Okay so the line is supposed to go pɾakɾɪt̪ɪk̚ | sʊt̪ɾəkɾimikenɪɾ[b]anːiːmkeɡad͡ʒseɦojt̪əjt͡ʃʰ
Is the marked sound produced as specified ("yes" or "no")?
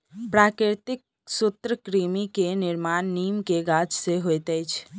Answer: no